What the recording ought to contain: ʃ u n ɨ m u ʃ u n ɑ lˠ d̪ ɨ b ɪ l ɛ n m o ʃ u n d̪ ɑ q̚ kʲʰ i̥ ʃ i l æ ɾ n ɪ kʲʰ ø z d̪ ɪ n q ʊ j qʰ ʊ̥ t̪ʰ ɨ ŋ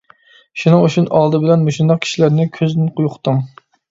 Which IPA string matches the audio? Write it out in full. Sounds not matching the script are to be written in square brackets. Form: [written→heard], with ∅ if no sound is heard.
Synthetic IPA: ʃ u n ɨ [m→ŋ] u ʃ u n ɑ lˠ d̪ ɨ b ɪ l ɛ n m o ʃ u n d̪ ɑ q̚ kʲʰ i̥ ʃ i l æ ɾ n ɪ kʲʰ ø z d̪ ɪ n q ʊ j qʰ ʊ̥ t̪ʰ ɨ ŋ